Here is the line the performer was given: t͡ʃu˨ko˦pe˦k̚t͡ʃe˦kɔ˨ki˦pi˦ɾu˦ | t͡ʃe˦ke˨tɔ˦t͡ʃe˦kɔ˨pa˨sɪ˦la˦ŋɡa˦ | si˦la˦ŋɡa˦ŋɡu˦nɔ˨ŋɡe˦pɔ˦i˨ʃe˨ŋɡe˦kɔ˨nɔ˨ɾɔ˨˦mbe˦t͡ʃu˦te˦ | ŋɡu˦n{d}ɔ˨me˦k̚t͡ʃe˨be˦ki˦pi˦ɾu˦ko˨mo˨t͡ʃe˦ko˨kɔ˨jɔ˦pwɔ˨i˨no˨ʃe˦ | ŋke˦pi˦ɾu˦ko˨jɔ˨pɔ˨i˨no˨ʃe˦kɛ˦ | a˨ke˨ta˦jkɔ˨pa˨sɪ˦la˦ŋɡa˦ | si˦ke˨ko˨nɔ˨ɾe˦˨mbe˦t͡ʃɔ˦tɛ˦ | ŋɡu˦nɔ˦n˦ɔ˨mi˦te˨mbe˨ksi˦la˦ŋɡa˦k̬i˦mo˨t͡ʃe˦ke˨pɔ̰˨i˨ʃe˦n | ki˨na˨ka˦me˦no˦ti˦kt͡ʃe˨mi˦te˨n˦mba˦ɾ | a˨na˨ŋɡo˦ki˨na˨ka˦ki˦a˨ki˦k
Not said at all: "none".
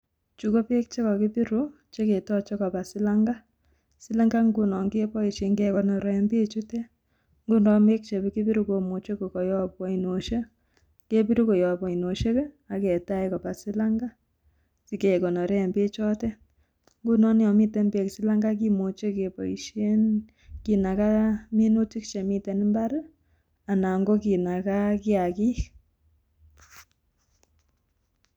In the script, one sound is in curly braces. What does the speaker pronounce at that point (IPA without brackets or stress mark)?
d